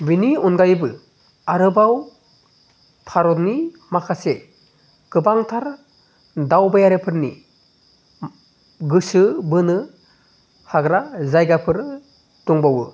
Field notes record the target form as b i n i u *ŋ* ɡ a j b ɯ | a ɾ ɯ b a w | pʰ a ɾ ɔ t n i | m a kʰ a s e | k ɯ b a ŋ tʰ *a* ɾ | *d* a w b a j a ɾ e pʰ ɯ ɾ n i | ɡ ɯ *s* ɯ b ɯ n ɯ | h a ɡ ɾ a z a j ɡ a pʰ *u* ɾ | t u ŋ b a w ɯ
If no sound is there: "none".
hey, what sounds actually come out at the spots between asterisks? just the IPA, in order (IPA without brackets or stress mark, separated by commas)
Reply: n, a, d, s, ɯ